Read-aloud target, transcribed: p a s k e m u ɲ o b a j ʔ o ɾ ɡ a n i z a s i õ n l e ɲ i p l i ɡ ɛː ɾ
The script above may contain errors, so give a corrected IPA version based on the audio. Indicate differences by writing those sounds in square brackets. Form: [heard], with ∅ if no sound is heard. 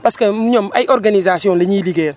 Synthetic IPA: p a s k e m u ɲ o [m] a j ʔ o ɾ ɡ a n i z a s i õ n l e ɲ i [∅] l i ɡ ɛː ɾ